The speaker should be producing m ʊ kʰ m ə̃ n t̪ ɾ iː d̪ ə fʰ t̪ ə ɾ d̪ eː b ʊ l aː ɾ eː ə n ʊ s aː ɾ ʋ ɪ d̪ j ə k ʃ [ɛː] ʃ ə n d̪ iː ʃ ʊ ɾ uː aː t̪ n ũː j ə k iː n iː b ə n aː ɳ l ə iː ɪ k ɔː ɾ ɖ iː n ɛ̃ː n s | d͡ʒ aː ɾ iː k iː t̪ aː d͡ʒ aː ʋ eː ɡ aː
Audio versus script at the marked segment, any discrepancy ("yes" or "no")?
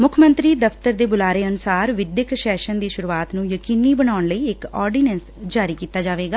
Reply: no